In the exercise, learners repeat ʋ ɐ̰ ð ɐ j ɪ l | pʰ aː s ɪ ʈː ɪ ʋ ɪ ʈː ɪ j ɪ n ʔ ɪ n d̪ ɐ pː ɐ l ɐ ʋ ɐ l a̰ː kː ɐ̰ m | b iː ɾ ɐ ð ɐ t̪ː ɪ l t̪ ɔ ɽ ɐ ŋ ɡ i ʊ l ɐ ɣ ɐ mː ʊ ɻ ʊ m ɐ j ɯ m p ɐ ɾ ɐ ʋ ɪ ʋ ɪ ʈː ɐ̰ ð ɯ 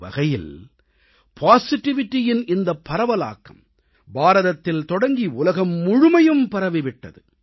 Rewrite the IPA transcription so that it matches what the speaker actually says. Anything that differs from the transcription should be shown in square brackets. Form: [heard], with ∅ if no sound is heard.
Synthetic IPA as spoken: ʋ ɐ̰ [ɣ] ɐ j ɪ l | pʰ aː s ɪ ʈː ɪ ʋ ɪ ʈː ɪ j ɪ n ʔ ɪ n d̪ ɐ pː ɐ [ɾ] ɐ ʋ ɐ l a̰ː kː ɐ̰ m | b [aː] ɾ ɐ ð ɐ t̪ː ɪ l t̪ ɔ ɽ ɐ ŋ ɡ i ʊ l ɐ ɣ ɐ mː ʊ ɻ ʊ m ɐ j ɯ m p ɐ ɾ ɐ ʋ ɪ ʋ ɪ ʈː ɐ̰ ð ɯ